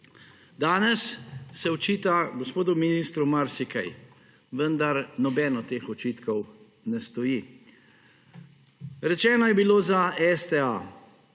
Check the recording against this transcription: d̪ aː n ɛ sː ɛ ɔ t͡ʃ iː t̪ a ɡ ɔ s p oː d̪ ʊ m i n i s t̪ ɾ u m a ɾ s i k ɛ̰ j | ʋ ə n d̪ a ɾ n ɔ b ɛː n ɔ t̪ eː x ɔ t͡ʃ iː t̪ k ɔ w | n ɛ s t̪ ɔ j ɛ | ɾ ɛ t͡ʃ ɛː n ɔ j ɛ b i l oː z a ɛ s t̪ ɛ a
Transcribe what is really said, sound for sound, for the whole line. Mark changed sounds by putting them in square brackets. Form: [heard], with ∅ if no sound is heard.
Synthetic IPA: d̪ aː n ɛ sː ɛ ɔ t͡ʃ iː t̪ a ɡ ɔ s p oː d̪ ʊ m i n i s t̪ ɾ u m a ɾ s i k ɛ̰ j | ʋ ə n d̪ a ɾ n ɔ b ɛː n ɔ t̪ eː x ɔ t͡ʃ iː t̪ k ɔ w | n ɛ s t̪ ɔ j [i] | ɾ ɛ t͡ʃ ɛː n ɔ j ɛ b i l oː z a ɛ s t̪ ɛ a